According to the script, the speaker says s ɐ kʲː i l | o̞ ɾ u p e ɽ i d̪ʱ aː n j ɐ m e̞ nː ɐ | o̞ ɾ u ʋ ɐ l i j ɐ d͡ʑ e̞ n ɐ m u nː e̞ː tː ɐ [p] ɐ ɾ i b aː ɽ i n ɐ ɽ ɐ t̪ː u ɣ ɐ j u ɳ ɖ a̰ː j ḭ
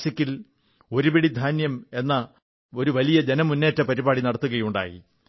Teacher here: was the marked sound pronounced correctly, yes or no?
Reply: yes